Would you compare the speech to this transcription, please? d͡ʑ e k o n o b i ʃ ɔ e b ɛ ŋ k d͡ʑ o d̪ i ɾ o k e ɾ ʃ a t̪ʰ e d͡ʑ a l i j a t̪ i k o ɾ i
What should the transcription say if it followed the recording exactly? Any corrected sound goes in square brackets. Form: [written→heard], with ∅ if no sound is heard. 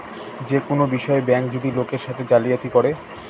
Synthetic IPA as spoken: d͡ʑ e k o n o b i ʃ ɔ e b ɛ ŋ k d͡ʑ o d̪ i [ɾ→l] o k e ɾ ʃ a t̪ʰ e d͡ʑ a l i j a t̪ i k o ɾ [i→e]

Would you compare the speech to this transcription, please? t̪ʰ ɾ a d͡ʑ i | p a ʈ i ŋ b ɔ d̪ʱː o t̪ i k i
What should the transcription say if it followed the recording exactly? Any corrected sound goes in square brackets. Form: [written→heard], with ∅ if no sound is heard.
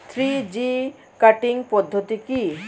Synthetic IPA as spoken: t̪ʰ ɾ [a→i] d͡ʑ i | [p→k] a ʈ i ŋ [b→p] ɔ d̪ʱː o t̪ i k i

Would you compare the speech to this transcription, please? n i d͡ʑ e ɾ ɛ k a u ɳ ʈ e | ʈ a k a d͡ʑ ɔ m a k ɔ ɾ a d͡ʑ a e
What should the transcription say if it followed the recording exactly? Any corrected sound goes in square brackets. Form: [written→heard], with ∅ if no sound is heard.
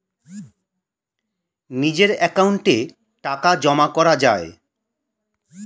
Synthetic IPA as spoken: n i d͡ʑ e ɾ ɛ k a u ɳ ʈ e | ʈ a k a d͡ʑ ɔ m a k ɔ ɾ a d͡ʑ a e

